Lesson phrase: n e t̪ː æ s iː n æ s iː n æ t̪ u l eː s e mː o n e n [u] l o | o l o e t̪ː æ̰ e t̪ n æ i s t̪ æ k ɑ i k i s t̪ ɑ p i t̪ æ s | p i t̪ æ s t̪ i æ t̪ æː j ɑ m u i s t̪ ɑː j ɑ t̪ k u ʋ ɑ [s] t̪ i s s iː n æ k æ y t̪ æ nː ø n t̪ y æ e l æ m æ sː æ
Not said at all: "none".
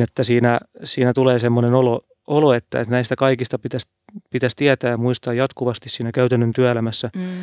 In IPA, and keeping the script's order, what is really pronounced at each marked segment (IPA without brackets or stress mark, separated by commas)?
o, s